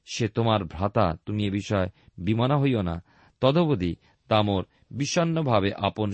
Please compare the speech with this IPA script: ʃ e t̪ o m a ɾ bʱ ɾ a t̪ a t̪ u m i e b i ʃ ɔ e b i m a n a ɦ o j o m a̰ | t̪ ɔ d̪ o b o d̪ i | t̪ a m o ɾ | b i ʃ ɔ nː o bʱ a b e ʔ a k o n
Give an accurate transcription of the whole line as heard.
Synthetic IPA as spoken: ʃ e t̪ o m a ɾ bʱ ɾ a t̪ a t̪ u m i e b i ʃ ɔ e b i m a n a ɦ o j o n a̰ | t̪ ɔ d̪ o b o d̪ i | t̪ a m o ɾ | b i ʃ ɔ nː o bʱ a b e ʔ a p o n